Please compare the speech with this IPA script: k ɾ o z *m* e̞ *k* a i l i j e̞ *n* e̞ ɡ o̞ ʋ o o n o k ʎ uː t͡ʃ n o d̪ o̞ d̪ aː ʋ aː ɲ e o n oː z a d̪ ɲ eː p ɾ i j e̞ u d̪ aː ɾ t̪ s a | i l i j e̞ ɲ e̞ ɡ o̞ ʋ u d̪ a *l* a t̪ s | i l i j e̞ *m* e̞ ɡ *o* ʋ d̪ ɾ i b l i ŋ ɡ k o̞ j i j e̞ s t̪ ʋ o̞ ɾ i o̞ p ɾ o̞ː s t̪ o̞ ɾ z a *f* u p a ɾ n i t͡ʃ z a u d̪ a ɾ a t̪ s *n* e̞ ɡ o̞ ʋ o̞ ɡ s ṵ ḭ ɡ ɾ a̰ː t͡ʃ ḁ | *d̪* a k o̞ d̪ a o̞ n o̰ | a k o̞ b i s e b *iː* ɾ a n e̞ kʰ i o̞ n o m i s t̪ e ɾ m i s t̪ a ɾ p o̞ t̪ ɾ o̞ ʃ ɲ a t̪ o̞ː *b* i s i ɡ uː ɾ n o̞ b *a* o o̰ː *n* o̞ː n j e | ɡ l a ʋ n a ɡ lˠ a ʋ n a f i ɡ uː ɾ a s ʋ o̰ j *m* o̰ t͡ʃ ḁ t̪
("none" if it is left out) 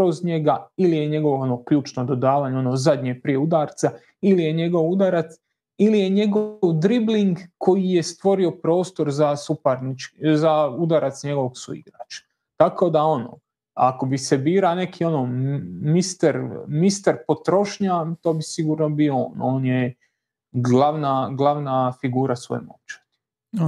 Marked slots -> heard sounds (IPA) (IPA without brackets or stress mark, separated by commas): ɲ, ɡ, ɲ, ɾ, ɲ, o, s, ɲ, t̪, iː, b, i, n, m